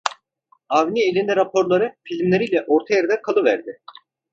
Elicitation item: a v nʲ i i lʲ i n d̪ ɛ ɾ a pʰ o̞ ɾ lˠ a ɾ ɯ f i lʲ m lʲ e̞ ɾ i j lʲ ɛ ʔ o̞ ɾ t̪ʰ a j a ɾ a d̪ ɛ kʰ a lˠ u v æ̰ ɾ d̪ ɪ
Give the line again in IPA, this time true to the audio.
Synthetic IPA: a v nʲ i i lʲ i n d̪ ɛ ɾ a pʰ o̞ ɾ lˠ a ɾ ɯ f i lʲ m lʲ e̞ ɾ i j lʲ ɛ ʔ o̞ ɾ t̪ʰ a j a ɾ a d̪ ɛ kʰ a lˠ ɯ v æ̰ ɾ d̪ ɪ